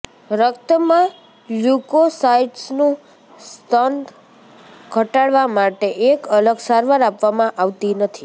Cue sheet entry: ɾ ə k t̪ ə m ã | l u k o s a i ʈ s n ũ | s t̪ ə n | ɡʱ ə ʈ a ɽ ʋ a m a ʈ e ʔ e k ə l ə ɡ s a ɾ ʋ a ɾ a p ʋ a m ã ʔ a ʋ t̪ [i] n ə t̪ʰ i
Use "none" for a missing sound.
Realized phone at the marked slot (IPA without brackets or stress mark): i